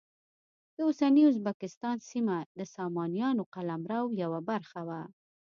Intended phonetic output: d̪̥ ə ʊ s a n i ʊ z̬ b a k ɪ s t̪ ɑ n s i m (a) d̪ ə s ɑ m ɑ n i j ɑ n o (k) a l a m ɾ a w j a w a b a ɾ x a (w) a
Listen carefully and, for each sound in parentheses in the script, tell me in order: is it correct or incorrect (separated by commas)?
correct, incorrect, correct